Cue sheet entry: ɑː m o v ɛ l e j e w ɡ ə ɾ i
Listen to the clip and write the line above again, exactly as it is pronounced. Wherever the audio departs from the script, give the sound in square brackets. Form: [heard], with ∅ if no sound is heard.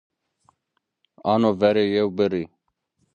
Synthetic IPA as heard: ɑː [n] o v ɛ [ɾ] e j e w [b] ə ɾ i